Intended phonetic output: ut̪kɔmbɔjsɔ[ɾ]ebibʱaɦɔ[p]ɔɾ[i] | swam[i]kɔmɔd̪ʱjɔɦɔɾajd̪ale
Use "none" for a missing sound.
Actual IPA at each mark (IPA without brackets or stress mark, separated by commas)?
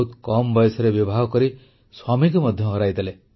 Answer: ɾ, k, i, i